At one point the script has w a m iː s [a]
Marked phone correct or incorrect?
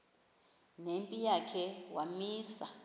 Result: correct